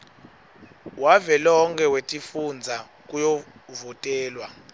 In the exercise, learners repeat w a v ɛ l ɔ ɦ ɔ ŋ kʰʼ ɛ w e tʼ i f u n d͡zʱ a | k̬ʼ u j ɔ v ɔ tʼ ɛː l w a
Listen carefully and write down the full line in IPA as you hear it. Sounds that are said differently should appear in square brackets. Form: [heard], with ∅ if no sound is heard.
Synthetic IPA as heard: w a v ɛ l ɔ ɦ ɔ ŋ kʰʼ ɛ w e tʼ i f u n d͡zʱ a | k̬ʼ u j ɔ v ɔ tʼ ɛː l w a